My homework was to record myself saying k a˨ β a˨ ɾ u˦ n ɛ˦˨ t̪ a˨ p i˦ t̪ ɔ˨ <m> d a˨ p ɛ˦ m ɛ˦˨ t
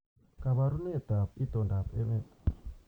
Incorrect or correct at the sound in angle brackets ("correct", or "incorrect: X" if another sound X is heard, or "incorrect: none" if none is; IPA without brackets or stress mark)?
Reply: incorrect: n